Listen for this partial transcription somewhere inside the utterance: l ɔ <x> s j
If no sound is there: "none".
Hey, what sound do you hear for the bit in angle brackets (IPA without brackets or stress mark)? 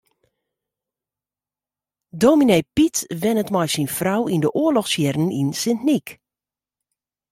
x